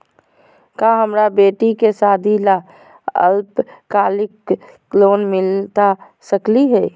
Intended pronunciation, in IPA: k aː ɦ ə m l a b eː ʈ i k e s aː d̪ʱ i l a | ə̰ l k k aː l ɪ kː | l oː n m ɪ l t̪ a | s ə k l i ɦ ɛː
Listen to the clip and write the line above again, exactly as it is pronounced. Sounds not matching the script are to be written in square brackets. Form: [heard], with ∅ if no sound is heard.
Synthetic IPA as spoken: k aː ɦ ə m [ɾ] a b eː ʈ i k e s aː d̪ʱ i l a | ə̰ l [p] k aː l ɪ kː | l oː n m ɪ l t̪ a | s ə k l i ɦ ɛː